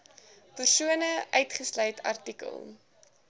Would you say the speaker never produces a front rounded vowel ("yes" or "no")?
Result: no